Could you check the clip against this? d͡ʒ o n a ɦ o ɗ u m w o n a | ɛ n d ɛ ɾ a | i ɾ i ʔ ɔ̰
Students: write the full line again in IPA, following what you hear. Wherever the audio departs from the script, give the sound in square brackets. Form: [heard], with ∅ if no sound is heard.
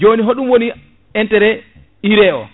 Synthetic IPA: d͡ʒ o n [i] ɦ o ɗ u m w o n [i] | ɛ n [t] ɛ ɾ [ɛ] | i ɾ [ɛ] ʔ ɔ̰